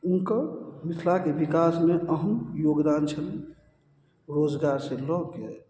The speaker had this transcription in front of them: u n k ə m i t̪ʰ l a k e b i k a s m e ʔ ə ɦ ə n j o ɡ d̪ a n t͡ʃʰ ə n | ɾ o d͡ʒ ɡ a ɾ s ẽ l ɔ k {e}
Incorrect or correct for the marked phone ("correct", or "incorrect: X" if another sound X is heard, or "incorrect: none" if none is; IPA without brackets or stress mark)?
correct